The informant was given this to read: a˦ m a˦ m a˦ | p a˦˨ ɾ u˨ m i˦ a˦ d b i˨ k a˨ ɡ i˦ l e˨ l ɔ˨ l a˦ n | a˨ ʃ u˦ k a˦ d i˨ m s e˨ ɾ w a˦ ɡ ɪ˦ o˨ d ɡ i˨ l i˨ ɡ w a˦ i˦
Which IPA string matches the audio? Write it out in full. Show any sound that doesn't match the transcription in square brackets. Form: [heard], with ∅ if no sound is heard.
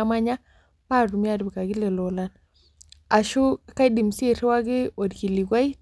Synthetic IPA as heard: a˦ m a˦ [ɲ] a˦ | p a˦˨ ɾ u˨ m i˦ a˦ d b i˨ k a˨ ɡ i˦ l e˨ l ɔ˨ l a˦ n | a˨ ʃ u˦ k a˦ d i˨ m s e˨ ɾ w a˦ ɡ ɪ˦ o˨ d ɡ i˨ l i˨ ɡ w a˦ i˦